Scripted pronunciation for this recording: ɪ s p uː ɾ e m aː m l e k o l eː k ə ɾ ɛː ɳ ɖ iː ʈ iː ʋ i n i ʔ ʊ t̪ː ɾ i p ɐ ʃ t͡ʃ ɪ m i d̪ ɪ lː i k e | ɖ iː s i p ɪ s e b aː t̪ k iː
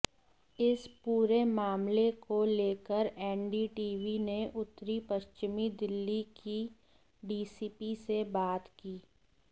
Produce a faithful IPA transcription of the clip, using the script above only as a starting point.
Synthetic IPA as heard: ɪ s p uː ɾ e m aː m l e k o l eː k ə ɾ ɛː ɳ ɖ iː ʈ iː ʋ i n e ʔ ʊ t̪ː ɾ i p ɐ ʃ t͡ʃ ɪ m i d̪ ɪ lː i k i | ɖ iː s i p i s e b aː t̪ k iː